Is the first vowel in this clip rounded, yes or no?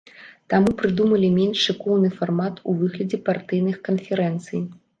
no